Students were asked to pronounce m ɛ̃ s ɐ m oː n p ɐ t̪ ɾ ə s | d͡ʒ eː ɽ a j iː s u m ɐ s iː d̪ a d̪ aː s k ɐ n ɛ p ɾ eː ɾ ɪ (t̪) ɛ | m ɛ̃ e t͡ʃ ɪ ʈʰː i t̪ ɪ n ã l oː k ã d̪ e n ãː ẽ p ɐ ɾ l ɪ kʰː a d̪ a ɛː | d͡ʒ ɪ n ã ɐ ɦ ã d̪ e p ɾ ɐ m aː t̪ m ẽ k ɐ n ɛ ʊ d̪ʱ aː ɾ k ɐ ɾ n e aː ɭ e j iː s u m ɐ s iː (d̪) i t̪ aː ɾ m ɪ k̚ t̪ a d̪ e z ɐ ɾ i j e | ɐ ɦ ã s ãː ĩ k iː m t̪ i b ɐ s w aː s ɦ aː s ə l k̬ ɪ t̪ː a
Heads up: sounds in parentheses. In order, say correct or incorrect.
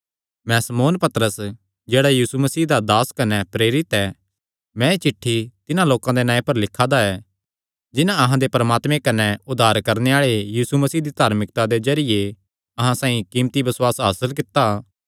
correct, correct

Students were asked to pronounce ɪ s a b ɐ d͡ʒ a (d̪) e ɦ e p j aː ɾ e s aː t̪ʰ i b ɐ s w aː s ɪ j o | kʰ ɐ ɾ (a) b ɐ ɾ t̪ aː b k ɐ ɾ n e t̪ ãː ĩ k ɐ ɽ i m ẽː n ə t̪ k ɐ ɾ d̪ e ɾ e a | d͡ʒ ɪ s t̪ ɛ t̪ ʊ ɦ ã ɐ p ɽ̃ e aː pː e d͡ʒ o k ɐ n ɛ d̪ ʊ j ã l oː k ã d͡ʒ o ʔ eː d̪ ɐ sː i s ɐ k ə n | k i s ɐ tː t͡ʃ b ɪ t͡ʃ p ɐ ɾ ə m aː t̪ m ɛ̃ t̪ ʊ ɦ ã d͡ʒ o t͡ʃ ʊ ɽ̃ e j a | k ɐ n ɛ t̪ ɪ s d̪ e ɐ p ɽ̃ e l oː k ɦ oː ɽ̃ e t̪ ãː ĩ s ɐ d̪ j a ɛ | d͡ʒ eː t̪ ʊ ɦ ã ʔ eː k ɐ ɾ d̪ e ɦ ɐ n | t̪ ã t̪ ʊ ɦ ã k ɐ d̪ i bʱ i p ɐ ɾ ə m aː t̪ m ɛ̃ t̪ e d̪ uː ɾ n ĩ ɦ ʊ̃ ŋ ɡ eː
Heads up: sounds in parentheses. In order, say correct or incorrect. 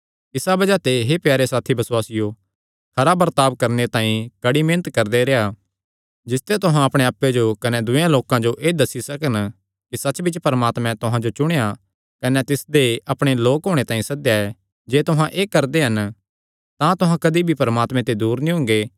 incorrect: t̪, correct

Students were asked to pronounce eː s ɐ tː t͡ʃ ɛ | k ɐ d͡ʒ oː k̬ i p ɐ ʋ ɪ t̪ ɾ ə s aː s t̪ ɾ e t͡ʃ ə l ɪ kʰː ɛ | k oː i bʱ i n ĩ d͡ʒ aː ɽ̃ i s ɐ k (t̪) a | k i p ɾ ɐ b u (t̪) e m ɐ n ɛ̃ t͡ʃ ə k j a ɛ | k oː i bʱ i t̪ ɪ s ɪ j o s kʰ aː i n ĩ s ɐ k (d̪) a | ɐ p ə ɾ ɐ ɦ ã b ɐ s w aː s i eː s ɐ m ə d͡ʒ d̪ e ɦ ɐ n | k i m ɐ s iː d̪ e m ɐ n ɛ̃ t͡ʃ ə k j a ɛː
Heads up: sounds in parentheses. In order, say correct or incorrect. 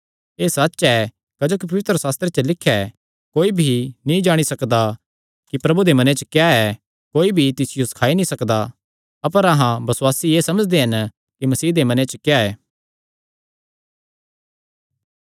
incorrect: d̪, incorrect: d̪, correct

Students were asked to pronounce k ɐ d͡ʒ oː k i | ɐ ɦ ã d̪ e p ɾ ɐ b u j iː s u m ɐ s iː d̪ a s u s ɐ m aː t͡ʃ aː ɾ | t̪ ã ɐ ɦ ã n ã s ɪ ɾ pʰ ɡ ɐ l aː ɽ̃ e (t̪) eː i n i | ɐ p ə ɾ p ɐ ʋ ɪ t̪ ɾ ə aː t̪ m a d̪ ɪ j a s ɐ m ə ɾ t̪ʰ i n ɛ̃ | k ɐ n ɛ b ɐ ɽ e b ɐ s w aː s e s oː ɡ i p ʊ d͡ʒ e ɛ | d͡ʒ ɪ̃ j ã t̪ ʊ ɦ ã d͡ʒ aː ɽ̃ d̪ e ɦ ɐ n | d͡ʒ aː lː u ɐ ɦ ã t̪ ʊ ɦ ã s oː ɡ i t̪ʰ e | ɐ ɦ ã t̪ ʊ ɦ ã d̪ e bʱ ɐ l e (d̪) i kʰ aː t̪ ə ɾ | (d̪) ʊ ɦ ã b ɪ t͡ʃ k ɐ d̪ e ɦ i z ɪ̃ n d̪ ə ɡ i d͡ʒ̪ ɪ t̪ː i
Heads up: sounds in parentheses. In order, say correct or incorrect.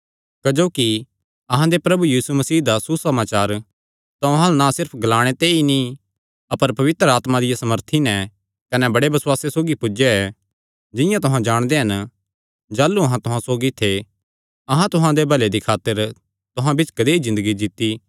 correct, correct, incorrect: t̪

